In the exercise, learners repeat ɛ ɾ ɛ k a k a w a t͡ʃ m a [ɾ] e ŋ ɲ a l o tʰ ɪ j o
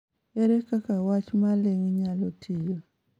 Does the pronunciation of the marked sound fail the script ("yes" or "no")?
yes